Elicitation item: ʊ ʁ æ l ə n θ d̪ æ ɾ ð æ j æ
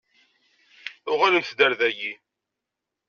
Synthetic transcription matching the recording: ʊ ʁ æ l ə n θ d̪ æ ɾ ð æ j i